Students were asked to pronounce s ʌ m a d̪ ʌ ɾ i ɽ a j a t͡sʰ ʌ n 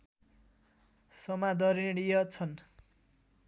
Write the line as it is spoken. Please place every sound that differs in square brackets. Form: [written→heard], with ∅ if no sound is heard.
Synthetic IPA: s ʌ m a d̪ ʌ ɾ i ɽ [a→i] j [a→ʌ] t͡sʰ ʌ n